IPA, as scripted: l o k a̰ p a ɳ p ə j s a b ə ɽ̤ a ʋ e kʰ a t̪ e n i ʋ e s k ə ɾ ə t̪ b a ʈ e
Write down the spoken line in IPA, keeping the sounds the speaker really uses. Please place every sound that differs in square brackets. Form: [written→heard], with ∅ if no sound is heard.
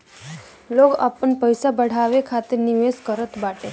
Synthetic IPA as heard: l o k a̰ p [a→ə] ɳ p ə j s a b ə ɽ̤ a ʋ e kʰ a t̪ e n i ʋ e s k ə ɾ ə t̪ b a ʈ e